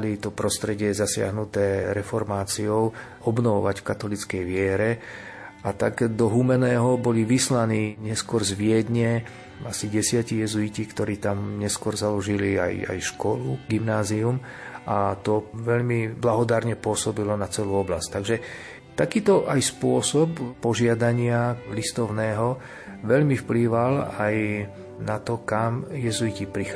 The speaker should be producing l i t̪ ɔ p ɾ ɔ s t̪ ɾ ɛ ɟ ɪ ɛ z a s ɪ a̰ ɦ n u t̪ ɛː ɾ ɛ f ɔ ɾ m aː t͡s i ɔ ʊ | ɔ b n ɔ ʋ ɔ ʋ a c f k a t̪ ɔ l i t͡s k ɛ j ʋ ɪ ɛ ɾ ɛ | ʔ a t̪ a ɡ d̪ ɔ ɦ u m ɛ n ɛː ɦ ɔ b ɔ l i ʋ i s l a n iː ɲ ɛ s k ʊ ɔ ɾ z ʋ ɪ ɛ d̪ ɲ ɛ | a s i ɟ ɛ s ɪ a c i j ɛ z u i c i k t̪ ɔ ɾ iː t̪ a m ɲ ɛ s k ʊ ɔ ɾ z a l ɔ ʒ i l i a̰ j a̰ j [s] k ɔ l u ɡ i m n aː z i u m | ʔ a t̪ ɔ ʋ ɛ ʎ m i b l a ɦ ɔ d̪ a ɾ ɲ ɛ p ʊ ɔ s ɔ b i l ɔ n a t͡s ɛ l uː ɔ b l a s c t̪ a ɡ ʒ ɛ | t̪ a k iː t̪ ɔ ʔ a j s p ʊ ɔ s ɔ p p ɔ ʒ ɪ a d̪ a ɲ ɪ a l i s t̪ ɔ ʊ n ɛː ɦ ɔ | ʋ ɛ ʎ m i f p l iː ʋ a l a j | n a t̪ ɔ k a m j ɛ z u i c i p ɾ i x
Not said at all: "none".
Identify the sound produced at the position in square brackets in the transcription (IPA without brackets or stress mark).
ʃ